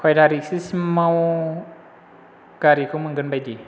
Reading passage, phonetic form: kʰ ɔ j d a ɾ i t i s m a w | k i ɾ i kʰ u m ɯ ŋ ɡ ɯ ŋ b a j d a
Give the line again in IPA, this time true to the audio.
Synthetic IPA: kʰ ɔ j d a ɾ i s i s m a w | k a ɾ i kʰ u m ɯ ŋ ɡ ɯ n b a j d i